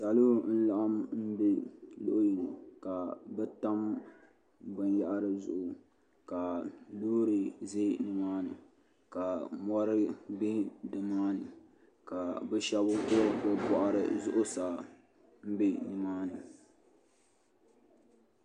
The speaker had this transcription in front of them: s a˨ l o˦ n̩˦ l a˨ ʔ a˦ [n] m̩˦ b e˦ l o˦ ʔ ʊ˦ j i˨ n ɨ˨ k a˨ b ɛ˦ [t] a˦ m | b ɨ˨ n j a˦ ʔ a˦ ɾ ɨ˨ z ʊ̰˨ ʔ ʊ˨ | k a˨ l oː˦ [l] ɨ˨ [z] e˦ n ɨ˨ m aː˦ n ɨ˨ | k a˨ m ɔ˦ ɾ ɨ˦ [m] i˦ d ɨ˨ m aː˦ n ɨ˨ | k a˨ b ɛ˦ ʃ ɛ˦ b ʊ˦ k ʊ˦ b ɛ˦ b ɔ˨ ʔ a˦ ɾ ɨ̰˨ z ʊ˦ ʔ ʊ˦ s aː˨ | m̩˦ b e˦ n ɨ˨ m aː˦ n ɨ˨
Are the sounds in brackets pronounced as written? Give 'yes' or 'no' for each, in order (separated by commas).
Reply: no, yes, no, yes, no